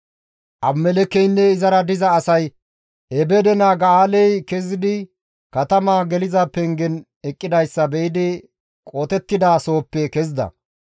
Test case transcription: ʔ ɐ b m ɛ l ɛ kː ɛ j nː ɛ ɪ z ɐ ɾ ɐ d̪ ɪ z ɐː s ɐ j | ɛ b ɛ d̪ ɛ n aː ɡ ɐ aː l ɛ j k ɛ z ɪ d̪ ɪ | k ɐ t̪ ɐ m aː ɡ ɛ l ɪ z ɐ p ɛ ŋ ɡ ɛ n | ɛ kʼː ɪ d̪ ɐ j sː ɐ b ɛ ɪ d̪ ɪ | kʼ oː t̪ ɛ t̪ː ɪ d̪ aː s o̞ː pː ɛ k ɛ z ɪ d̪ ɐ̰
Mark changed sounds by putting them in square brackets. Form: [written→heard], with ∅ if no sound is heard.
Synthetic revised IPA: ʔ ɐ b m ɛ l ɛ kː ɛ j nː ɛ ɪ z ɐ ɾ ɐ d̪ ɪ z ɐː s ɐ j | ɛ b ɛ d̪ ɛ n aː ɡ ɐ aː l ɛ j k ɛ z ɪ d̪ ɪ | k ɐ t̪ ɐ m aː ɡ ɛ l ɪ z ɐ p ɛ ŋ ɡ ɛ n | ɛ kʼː ɪ d̪ ɐ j sː ɐ b ɛ ɪ d̪ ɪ | kʼ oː t̪ ɛ t̪ː ɪ d̪ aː s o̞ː pː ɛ k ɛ z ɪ d̪ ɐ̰